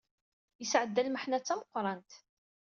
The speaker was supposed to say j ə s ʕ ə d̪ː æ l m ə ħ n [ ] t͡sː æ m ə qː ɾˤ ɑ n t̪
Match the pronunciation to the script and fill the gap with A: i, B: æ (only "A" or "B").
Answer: B